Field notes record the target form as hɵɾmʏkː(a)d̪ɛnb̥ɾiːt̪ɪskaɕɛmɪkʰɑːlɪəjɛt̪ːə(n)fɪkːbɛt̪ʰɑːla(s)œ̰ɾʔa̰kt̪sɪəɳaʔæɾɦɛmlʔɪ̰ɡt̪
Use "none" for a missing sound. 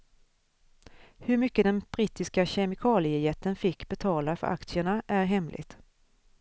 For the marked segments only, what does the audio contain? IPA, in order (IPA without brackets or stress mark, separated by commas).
ə, n, f